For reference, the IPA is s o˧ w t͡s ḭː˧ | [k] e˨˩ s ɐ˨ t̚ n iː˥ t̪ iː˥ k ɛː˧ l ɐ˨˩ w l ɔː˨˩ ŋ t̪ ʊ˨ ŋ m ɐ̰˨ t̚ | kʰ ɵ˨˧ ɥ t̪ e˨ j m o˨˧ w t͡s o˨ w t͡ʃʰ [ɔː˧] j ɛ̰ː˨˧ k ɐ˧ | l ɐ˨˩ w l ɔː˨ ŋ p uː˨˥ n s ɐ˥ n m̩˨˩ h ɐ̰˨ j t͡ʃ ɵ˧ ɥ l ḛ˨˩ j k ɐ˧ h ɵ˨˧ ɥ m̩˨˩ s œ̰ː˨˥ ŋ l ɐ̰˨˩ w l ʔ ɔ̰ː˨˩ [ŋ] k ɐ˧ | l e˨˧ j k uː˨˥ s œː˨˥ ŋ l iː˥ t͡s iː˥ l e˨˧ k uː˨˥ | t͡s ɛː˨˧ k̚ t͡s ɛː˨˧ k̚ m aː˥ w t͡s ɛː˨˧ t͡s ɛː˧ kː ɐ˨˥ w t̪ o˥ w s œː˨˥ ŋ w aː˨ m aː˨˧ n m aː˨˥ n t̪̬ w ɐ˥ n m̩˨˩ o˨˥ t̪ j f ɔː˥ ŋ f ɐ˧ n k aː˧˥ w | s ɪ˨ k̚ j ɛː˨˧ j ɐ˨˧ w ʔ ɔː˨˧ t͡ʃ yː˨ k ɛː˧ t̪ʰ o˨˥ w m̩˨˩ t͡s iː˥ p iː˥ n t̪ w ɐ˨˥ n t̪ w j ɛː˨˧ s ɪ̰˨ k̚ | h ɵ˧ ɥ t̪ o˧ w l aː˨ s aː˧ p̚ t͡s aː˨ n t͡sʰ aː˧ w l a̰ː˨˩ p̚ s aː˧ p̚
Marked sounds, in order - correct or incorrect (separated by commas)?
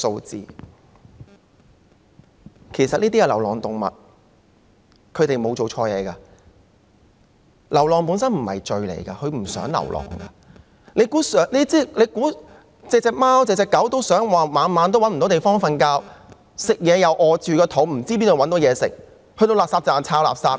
incorrect, correct, correct